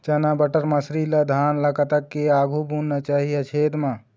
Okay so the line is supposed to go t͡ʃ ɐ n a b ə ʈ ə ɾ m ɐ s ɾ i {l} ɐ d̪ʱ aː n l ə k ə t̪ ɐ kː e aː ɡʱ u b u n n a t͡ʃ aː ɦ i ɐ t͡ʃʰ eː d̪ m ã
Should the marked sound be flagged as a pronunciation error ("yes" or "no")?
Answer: no